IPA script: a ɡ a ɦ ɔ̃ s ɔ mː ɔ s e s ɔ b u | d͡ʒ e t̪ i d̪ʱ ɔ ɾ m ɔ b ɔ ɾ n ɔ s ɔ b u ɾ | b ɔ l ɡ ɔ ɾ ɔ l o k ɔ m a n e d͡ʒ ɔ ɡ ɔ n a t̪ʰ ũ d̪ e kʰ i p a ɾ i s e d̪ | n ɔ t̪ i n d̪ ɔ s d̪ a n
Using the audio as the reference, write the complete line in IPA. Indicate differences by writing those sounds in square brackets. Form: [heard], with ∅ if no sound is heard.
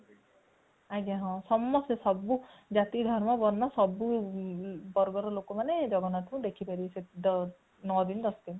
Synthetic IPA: a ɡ a ɦ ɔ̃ s ɔ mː ɔ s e s ɔ b u | d͡ʒ [a] t̪ i d̪ʱ ɔ ɾ m ɔ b ɔ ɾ n ɔ s ɔ b u [∅] | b ɔ [ɾ] ɡ ɔ ɾ ɔ l o k ɔ m a n e d͡ʒ ɔ ɡ ɔ n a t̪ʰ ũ d̪ e kʰ i p a ɾ i s e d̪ | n ɔ [d̪] i n d̪ ɔ s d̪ [i] n